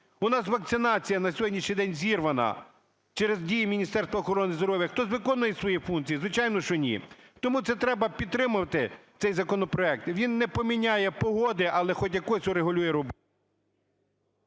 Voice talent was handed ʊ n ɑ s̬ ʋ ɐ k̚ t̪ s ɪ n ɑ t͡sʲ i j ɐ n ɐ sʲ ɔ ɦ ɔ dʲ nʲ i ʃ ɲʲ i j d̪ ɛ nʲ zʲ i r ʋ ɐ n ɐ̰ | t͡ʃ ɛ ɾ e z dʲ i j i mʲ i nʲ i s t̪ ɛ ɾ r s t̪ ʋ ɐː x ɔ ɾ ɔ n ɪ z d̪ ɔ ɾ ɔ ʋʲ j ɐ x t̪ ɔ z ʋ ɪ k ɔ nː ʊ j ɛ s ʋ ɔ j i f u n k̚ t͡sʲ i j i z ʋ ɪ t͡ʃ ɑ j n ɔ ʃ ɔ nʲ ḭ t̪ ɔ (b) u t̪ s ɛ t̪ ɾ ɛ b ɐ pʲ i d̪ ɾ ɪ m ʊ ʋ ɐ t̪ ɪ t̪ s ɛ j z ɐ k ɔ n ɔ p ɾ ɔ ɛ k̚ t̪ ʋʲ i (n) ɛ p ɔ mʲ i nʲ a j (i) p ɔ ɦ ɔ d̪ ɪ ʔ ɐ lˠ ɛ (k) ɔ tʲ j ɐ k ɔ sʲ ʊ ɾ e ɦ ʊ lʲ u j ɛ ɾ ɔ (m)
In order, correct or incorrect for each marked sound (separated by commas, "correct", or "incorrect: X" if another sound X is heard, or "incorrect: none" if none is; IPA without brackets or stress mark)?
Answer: incorrect: m, incorrect: nː, incorrect: ɛ, incorrect: x, incorrect: b